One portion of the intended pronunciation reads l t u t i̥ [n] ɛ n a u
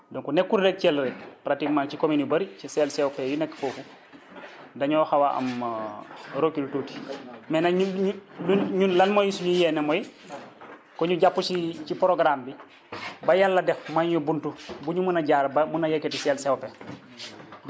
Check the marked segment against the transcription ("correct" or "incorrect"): incorrect